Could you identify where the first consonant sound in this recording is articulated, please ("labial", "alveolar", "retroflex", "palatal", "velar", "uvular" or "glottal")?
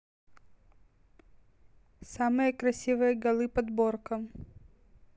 alveolar